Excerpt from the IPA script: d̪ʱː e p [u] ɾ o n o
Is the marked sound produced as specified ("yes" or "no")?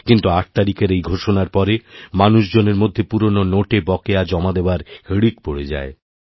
yes